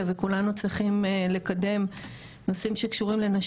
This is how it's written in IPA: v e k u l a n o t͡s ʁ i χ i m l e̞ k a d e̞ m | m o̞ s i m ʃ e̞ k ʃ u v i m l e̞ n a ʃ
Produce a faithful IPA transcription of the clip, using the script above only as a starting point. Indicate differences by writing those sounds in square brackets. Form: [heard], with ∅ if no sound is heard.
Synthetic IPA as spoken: v e k u l a n [u] t͡s ʁ i χ i m l e̞ k a d e̞ m | [n] o̞ s i m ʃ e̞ k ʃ u [ʁ] i m l e̞ n a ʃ